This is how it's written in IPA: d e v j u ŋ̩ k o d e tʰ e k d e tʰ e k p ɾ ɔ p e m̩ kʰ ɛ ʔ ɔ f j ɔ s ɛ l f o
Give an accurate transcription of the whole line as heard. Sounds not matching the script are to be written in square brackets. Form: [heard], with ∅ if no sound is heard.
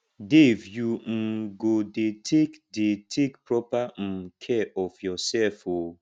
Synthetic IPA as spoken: d e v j u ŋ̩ [ɡ] o d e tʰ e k d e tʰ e k p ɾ ɔ p [a] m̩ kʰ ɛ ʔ ɔ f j ɔ s ɛ l f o